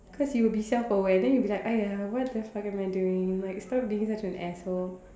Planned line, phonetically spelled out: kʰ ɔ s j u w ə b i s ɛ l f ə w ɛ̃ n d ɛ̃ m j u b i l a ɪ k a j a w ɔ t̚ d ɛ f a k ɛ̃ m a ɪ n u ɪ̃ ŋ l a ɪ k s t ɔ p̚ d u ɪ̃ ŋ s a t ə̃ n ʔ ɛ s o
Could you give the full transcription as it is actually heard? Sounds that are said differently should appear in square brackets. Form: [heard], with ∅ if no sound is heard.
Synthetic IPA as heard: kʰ ɔ s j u w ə b i s ɛ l f ə w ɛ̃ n d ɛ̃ [n] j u b i l a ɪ k a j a w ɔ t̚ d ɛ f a k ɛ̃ m a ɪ [d] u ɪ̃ ŋ l a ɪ k s t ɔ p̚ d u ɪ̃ ŋ s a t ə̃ n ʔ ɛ s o